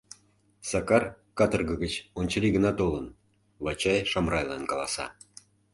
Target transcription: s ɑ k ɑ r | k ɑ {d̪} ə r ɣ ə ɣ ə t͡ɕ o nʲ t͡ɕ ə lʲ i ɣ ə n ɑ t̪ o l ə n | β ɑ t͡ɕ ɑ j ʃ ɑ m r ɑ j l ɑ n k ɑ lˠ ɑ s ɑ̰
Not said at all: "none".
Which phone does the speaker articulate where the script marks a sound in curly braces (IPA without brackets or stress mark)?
t̪